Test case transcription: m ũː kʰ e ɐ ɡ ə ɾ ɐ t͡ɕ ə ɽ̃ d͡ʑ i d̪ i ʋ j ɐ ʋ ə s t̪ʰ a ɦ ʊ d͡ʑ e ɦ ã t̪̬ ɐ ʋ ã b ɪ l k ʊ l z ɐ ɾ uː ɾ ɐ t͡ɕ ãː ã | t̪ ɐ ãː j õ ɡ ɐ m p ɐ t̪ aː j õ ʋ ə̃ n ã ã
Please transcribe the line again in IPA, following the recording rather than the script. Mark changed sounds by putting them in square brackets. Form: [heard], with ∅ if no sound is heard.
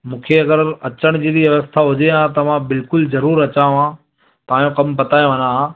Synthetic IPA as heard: m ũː kʰ e ɐ ɡ ə ɾ ɐ t͡ɕ ə ɽ̃ d͡ʑ i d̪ i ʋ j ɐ ʋ ə s t̪ʰ a ɦ ʊ d͡ʑ e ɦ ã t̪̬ ɐ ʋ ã b ɪ l k ʊ l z ɐ ɾ uː ɾ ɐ t͡ɕ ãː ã | t̪ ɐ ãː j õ [k] ɐ m p ɐ t̪ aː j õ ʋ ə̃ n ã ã